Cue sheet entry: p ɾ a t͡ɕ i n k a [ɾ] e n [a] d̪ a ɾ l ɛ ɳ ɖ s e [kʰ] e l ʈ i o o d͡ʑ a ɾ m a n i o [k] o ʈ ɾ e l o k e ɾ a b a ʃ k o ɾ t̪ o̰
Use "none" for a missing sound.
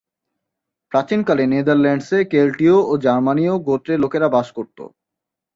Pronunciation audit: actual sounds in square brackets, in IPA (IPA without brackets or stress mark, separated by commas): l, e, k, ɡ